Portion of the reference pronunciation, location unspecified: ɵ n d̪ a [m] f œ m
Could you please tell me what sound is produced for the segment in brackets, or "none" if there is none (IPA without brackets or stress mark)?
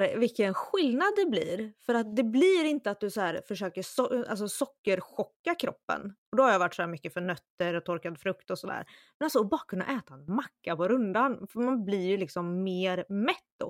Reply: n